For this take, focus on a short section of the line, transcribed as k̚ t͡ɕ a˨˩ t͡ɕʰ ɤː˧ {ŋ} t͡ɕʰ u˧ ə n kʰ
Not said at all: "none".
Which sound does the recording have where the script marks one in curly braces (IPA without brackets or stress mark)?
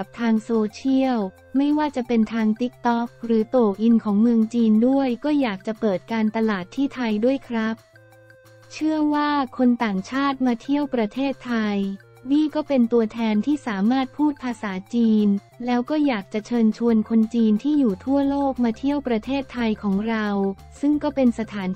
n